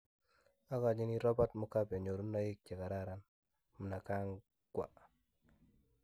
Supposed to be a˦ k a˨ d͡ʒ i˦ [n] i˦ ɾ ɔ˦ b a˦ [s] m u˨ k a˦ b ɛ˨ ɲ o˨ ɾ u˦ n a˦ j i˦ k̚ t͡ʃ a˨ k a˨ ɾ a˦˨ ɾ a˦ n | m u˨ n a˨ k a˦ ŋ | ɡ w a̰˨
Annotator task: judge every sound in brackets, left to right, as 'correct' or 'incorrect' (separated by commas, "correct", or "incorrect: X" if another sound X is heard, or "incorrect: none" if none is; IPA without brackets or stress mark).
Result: correct, incorrect: t